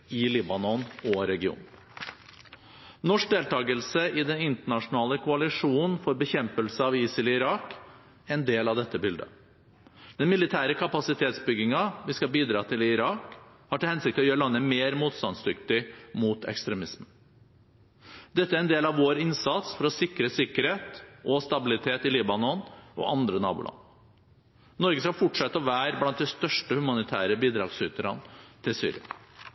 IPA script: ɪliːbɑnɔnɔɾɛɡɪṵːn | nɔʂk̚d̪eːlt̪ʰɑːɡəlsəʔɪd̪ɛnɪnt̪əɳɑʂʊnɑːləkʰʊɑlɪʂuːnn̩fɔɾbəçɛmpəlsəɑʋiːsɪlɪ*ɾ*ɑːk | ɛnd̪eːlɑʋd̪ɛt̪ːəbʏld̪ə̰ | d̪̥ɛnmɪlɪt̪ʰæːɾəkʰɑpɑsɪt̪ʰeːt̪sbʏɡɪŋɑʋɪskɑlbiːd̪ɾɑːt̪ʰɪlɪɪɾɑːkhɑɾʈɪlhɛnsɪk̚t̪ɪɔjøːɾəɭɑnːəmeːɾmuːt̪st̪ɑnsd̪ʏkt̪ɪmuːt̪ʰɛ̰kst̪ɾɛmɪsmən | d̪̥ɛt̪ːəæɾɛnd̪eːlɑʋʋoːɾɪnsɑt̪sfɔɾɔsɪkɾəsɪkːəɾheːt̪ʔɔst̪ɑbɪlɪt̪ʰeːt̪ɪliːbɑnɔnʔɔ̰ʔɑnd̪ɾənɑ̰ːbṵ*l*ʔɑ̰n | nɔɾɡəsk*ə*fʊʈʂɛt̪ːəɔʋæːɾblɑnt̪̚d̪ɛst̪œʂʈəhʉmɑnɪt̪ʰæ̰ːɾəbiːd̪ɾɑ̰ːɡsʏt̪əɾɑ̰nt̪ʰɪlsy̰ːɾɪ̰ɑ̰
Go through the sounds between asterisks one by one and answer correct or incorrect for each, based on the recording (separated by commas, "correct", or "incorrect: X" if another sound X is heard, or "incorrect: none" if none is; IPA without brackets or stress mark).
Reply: correct, correct, incorrect: ɑ